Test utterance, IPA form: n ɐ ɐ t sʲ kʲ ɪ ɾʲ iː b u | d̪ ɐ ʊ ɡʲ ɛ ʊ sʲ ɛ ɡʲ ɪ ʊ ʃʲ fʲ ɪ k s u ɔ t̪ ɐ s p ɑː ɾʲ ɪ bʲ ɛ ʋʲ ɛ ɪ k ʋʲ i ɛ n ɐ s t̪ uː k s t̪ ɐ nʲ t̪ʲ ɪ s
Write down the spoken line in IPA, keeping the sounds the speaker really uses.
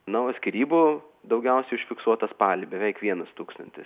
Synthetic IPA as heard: n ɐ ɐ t sʲ kʲ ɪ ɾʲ iː b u | d̪ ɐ ʊ ɡʲ ɛ ʊ sʲ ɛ ɪ ʊ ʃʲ fʲ ɪ k s u ɔ t̪ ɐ s p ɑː lʲ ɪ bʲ ɛ ʋʲ ɛ ɪ k ʋʲ i ɛ n ɐ s t̪ uː k s t̪ ɐ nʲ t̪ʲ ɪ s